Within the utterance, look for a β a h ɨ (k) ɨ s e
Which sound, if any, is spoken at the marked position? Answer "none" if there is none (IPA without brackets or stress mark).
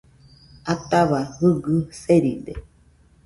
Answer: ɡ